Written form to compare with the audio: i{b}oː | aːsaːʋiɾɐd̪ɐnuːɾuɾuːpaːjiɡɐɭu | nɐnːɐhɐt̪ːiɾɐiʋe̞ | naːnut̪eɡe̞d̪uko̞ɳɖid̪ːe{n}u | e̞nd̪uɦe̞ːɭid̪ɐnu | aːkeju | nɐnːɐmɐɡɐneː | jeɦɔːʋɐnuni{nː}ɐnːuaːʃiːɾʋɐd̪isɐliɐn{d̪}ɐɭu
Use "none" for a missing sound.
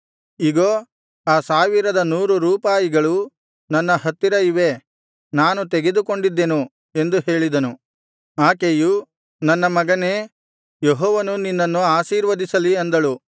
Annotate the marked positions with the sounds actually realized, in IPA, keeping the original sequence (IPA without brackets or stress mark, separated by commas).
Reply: ɡ, n, nː, d̪